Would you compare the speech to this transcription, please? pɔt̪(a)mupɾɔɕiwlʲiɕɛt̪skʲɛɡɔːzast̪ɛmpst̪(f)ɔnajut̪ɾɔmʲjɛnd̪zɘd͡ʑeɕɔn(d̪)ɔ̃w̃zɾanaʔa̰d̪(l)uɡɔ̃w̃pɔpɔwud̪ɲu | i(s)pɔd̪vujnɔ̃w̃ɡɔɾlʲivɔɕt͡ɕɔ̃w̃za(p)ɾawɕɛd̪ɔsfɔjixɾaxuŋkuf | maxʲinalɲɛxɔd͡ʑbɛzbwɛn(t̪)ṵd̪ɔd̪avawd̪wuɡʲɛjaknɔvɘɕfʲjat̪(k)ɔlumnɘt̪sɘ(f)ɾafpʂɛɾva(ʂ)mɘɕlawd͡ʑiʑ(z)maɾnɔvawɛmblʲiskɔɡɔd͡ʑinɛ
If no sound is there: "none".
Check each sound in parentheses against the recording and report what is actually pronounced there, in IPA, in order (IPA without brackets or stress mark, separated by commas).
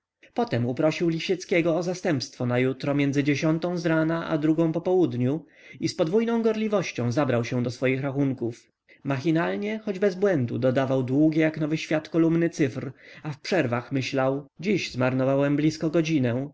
ɛ, f, t̪, ɾ, s, b, d̪, k, f, x, z